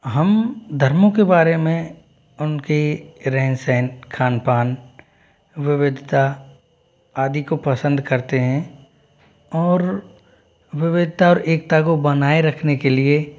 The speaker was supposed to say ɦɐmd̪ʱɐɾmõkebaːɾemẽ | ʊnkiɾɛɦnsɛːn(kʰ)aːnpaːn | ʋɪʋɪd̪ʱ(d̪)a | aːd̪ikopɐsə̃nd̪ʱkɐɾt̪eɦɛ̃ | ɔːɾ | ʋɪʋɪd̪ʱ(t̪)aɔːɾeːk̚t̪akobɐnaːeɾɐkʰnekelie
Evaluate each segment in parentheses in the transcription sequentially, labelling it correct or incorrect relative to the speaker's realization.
correct, incorrect: t̪, correct

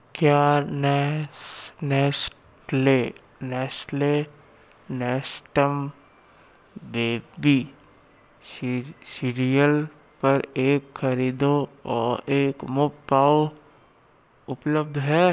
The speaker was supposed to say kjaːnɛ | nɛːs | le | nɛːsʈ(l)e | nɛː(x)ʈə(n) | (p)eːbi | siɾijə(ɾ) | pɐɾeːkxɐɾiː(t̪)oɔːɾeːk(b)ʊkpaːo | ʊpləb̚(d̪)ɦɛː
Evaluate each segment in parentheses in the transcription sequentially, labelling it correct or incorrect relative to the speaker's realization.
correct, incorrect: s, incorrect: m, incorrect: b, incorrect: l, incorrect: d̪, incorrect: m, correct

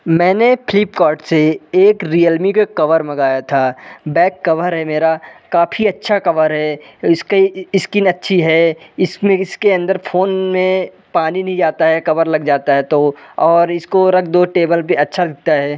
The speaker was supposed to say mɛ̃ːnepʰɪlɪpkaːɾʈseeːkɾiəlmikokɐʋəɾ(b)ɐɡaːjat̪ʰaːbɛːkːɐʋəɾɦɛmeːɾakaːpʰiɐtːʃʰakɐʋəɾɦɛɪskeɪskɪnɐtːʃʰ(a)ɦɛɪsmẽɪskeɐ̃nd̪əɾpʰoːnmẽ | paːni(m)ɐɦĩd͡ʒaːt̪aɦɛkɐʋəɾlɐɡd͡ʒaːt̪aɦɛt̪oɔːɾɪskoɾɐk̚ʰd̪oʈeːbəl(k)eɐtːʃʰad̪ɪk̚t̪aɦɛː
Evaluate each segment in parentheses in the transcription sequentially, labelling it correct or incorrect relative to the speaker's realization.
incorrect: m, incorrect: i, incorrect: n, incorrect: p

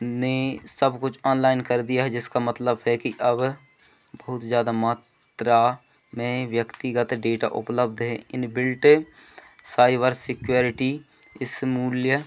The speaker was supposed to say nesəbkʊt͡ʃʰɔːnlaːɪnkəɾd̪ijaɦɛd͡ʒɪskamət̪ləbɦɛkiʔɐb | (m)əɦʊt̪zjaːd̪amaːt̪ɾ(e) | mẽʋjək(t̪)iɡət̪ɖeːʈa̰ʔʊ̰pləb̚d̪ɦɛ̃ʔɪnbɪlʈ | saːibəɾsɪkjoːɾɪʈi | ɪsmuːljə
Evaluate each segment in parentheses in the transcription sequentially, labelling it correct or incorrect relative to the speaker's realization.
incorrect: b, incorrect: a, correct

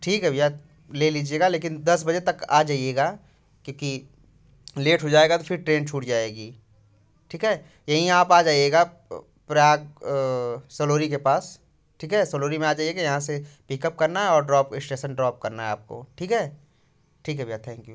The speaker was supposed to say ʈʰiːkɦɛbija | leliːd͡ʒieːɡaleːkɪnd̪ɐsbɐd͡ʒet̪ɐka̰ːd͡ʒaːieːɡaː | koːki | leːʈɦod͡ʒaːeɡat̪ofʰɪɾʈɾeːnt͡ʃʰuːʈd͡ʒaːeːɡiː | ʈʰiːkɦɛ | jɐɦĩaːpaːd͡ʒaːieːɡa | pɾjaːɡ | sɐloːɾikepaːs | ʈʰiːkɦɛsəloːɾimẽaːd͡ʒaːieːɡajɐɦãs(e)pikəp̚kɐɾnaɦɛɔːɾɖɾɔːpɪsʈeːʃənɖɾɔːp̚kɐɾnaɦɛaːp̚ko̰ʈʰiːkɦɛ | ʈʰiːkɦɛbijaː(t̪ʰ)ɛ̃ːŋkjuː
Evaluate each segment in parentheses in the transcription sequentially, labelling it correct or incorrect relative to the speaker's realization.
correct, correct

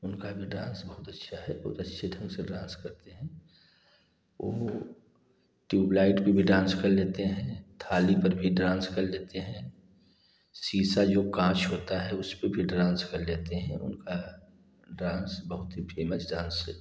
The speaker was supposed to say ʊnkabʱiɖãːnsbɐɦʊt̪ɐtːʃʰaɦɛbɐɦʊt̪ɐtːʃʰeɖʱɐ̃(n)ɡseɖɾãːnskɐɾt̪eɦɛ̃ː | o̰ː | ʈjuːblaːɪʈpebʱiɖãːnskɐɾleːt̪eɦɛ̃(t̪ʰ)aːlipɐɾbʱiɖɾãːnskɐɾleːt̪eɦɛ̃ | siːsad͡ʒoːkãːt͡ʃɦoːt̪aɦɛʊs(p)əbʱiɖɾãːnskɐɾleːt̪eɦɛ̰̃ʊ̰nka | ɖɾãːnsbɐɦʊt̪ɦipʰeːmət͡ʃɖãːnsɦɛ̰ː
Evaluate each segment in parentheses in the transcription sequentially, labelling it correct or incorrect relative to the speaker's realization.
incorrect: ŋ, correct, correct

